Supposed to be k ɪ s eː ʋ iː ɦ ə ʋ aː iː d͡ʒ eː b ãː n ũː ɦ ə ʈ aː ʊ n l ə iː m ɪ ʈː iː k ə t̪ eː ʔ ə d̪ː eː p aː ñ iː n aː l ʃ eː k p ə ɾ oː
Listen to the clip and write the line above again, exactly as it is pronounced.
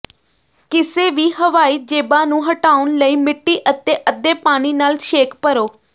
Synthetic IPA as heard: k ɪ s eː ʋ iː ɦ ə ʋ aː iː d͡ʒ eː b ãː n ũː ɦ ə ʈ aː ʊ n l ə iː m ɪ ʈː iː ʔ ə t̪ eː ʔ ə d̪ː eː p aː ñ iː n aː l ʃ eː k p ə ɾ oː